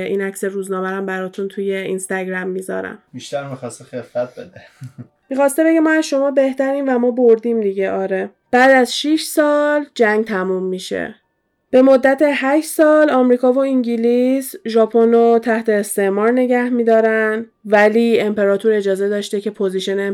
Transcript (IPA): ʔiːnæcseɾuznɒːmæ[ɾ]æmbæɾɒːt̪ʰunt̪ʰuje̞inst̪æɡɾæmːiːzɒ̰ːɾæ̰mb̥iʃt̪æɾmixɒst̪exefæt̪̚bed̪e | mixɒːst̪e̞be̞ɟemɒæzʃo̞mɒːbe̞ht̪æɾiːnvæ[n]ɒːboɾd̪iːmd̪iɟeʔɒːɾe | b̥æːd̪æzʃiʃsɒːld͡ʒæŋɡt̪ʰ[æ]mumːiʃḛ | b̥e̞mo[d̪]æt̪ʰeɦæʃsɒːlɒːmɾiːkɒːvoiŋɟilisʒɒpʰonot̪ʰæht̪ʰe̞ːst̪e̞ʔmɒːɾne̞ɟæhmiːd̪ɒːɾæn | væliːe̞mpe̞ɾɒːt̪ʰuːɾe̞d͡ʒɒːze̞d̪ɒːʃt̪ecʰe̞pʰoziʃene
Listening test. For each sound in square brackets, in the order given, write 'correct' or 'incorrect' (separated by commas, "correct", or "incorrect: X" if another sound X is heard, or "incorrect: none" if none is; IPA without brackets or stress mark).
correct, incorrect: m, correct, incorrect: d̪ː